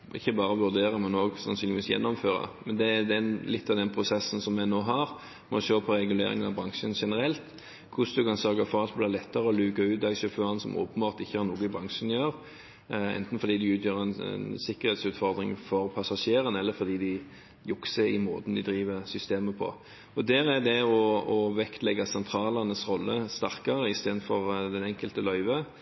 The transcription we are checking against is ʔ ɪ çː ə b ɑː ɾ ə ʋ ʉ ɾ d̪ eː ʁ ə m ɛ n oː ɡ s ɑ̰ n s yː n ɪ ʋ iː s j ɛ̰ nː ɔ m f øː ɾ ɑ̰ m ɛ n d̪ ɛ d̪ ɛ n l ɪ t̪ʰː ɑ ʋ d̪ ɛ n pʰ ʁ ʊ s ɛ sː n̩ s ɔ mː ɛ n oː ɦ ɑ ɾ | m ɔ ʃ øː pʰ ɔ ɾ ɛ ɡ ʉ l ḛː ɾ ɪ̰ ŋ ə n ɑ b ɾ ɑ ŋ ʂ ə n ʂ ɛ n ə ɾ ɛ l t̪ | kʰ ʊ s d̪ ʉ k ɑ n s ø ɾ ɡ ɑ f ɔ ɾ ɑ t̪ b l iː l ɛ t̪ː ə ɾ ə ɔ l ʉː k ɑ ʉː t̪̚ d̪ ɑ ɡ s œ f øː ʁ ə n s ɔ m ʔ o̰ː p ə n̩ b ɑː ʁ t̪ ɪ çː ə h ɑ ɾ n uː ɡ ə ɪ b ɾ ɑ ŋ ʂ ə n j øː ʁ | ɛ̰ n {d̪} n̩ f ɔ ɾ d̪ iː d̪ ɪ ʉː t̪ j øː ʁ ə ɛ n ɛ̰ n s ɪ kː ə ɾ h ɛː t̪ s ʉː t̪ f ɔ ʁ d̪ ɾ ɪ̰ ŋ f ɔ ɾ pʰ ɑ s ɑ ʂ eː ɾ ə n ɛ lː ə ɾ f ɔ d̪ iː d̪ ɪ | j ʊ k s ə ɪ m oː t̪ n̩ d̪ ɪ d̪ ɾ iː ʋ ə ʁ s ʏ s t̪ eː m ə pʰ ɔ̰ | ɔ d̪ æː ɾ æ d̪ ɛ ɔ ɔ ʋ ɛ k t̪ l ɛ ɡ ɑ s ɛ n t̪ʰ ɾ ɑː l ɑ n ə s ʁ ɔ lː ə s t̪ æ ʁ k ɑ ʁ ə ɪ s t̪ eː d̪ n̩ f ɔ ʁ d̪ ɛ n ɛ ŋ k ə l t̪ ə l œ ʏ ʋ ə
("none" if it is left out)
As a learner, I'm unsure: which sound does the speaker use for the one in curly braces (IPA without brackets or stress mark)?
t̪